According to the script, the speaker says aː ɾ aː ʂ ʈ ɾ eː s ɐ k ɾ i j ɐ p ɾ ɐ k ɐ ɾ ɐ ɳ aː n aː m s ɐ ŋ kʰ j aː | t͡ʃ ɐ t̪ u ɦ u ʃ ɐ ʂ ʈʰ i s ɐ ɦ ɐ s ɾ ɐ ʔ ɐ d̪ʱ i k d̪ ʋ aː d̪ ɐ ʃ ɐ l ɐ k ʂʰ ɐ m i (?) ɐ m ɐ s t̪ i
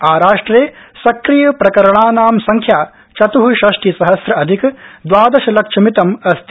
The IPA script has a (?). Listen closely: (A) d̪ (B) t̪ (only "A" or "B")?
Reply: B